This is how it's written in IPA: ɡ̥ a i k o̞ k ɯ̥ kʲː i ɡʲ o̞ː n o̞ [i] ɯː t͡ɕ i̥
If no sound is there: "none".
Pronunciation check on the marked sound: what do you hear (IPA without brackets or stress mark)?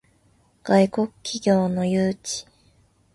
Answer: j